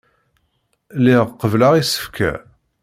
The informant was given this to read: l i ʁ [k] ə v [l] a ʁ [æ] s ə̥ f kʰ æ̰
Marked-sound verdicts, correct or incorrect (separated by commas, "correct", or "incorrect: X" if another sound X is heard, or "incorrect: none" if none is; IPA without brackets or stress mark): incorrect: q, correct, incorrect: i